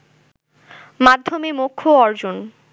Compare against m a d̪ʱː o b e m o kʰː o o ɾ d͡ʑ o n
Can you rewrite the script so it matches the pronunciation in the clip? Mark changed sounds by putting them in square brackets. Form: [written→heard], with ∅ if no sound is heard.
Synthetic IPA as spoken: m a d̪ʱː o [b→m] e m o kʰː o [o→ɔ] ɾ d͡ʑ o n